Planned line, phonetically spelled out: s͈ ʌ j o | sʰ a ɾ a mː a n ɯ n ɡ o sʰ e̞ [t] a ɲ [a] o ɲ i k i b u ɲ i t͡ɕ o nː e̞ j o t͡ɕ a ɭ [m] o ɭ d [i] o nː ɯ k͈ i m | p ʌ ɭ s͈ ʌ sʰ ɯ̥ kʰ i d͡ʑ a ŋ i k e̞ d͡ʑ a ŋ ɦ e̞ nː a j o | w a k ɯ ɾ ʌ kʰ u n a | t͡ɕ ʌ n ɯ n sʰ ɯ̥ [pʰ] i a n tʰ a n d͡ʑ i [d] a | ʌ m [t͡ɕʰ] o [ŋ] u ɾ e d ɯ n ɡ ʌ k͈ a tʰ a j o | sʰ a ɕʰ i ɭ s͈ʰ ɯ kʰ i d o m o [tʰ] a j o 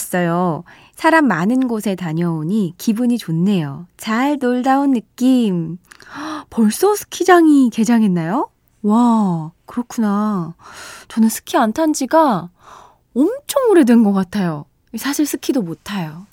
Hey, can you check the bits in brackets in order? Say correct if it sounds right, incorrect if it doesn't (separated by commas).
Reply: correct, incorrect, incorrect, incorrect, incorrect, incorrect, correct, correct, correct